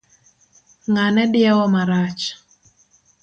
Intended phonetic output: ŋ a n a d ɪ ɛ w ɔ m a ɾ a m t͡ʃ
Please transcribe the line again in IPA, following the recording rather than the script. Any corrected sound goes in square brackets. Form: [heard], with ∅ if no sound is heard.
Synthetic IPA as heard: ŋ a n [ɛ] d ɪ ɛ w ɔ m a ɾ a [∅] t͡ʃ